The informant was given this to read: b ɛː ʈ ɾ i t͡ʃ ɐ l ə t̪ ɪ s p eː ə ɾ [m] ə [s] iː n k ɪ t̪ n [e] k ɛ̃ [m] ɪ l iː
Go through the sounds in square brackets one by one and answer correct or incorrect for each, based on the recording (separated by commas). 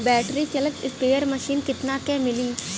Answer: correct, incorrect, incorrect, correct